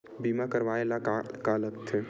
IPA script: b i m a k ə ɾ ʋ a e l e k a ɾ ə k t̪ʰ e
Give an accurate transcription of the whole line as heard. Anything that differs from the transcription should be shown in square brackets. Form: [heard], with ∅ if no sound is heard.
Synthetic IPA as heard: b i m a k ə ɾ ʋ a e l [a] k a [l] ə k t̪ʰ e